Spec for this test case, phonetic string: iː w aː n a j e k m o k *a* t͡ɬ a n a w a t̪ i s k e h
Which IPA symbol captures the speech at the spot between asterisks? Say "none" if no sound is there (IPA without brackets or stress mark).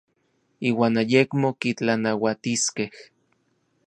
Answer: i